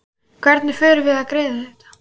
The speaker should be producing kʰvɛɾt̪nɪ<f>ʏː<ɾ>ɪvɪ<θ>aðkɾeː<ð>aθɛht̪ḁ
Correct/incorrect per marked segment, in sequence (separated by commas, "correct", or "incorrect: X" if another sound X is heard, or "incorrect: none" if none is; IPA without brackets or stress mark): correct, correct, incorrect: ð, correct